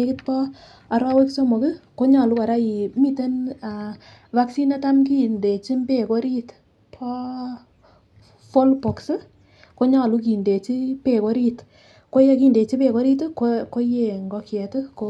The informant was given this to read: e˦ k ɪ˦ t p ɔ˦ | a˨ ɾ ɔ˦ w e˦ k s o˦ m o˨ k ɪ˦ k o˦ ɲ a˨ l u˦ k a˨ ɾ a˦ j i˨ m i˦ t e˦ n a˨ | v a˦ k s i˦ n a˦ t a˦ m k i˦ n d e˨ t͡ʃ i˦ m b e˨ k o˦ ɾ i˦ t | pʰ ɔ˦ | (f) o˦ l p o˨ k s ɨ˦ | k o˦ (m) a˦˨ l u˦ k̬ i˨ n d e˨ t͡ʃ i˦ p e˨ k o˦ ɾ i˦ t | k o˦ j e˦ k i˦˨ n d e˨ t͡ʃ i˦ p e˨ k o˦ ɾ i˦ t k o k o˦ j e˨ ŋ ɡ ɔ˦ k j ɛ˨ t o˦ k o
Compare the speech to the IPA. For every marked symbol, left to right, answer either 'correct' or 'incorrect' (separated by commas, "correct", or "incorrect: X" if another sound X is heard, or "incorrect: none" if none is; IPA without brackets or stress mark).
correct, incorrect: ɲ